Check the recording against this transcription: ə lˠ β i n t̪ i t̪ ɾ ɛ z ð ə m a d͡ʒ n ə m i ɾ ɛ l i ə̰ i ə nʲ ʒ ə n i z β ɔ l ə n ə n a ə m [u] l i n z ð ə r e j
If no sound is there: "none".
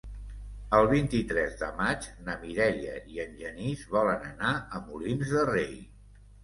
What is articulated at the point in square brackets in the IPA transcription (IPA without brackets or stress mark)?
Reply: u